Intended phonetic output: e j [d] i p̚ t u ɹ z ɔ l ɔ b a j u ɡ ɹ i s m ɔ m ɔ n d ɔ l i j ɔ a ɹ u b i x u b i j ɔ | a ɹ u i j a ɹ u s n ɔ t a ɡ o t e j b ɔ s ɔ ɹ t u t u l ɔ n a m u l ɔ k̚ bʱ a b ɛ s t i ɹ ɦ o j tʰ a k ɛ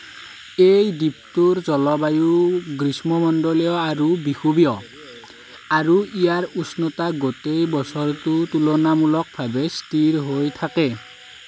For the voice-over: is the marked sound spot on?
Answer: yes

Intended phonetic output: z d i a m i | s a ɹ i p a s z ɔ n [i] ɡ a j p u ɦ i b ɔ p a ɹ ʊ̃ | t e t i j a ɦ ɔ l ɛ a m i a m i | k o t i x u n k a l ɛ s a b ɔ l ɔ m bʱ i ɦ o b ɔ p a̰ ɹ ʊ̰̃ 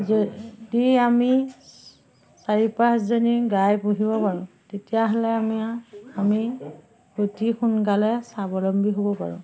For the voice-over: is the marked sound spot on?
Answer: yes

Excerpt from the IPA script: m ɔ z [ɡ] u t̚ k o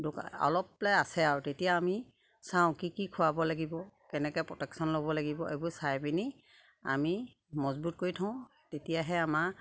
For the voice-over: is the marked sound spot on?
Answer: no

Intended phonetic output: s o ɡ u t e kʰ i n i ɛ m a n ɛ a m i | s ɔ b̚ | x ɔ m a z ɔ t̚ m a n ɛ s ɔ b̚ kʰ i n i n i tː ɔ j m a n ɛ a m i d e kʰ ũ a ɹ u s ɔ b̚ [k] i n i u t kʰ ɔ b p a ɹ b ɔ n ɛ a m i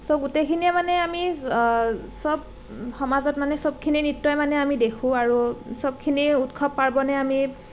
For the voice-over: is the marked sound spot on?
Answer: no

